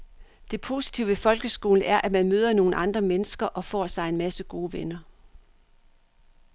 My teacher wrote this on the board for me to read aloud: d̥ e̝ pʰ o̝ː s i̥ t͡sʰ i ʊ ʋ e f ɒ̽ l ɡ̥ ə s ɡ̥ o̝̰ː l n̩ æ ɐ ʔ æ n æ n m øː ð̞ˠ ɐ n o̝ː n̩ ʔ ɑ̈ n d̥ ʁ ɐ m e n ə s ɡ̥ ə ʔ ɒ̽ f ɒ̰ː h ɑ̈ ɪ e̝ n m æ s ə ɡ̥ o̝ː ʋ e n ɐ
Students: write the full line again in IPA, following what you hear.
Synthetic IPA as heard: d̥ e̝ pʰ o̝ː s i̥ t͡sʰ i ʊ ʋ e f ɒ̽ l ɡ̥ ə s ɡ̥ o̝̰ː l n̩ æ ɐ ʔ æ m æ n m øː ð̞ˠ ɐ n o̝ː n̩ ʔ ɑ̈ n d̥ ʁ ɐ m e n ə s ɡ̥ ɐ ʔ ɒ̽ f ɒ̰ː s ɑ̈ ɪ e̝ n m æ s ə ɡ̥ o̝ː ʋ e n ɐ